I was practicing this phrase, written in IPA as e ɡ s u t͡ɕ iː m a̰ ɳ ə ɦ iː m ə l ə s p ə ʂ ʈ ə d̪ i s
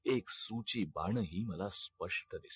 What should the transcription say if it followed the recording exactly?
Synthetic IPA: e k s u t͡ɕ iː b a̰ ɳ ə ɦ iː m ə l a s p ə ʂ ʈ ə d̪ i s